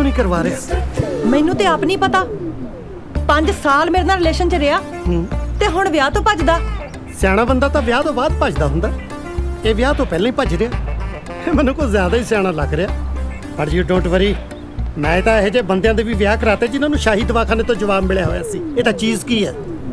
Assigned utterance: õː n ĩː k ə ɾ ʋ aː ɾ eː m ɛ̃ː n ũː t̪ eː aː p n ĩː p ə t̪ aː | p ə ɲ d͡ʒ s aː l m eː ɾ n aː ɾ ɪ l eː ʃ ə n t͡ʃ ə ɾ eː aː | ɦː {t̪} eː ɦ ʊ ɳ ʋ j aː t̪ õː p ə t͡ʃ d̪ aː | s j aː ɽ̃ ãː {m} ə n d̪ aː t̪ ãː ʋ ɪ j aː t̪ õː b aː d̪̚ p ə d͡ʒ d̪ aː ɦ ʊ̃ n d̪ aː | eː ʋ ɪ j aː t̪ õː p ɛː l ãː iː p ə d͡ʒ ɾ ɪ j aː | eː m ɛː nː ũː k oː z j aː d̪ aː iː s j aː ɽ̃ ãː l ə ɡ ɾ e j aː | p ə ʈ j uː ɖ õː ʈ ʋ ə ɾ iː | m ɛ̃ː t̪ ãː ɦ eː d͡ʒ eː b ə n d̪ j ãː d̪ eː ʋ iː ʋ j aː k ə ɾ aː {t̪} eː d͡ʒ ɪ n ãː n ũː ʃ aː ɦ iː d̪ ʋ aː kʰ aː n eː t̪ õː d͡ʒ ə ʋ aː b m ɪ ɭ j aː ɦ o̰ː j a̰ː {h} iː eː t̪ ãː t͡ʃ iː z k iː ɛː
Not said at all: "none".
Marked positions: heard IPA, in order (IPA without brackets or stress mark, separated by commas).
t̪, b, t̪, s